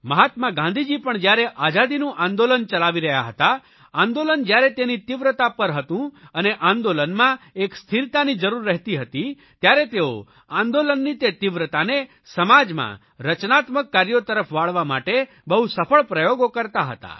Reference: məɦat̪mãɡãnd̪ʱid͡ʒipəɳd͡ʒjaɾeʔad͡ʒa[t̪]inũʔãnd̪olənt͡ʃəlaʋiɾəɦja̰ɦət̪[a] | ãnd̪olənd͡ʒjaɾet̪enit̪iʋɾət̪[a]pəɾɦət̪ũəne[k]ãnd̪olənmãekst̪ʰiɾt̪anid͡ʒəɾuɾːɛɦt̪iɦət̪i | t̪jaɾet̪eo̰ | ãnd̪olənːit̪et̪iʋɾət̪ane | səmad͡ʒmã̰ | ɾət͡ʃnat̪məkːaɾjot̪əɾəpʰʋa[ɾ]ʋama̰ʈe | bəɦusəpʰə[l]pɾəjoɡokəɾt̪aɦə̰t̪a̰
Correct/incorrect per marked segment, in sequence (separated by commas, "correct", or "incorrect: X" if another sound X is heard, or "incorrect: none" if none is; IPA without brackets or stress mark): incorrect: d̪, correct, correct, incorrect: ʔ, incorrect: ɭ, incorrect: ɭ